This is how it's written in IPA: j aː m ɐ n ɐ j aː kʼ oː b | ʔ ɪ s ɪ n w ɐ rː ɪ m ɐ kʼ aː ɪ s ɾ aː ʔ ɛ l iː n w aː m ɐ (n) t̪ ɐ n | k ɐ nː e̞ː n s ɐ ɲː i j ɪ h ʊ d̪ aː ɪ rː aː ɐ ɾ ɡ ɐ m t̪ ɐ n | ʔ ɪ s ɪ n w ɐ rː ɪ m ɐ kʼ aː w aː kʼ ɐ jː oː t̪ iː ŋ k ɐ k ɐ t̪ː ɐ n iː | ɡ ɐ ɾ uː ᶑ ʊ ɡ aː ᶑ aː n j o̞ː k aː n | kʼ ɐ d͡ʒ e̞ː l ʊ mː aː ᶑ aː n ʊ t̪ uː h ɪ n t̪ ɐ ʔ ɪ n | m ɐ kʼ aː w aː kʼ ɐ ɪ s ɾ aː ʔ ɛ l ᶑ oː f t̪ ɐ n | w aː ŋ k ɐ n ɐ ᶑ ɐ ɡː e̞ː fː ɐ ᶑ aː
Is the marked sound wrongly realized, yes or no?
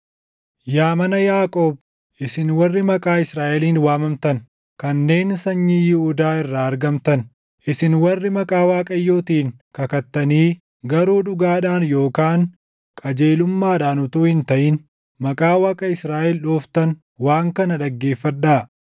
yes